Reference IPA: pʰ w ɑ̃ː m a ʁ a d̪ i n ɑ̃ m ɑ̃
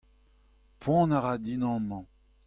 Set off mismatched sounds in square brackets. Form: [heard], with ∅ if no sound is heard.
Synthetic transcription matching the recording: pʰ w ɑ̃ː [n] a ʁ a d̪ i n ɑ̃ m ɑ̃